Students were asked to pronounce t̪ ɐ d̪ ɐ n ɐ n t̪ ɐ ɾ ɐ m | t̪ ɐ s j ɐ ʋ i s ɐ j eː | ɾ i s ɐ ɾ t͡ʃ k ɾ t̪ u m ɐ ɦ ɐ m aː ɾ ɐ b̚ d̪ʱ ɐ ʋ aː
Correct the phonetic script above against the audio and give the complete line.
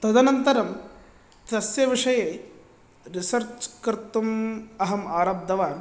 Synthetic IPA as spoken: t̪ ɐ d̪ ɐ n ɐ n t̪ ɐ ɾ ɐ m | t̪ ɐ s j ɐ ʋ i ʂ ɐ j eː | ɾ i s ɐ ɾ t͡ʃ k ɾ t̪ u m ɐ ɦ ɐ m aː ɾ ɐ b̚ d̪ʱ ɐ ʋ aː